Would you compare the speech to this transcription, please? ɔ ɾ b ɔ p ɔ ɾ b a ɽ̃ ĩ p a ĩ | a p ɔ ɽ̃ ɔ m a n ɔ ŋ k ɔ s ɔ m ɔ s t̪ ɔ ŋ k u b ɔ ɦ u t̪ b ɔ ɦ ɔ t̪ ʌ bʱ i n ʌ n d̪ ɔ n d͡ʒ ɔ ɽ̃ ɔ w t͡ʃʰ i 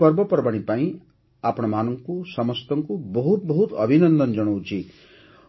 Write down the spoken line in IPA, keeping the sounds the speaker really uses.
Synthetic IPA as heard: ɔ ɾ b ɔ p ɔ ɾ b a ɽ̃ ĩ p a ĩ | a p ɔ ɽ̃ ɔ m a n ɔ ŋ k u s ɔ m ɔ s t̪ ɔ ŋ k u b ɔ ɦ u t̪ b ɔ ɦ u t̪ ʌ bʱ i n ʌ n d̪ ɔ n d͡ʒ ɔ ɽ̃ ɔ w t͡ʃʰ i